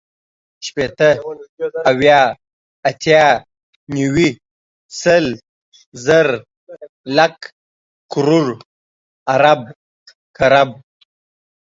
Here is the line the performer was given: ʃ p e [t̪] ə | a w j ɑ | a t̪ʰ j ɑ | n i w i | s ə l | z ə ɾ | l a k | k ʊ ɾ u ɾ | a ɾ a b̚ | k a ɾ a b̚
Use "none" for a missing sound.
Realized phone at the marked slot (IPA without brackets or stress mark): t̪